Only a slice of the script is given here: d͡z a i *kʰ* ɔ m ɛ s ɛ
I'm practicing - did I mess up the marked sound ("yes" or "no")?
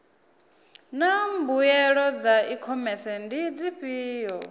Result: no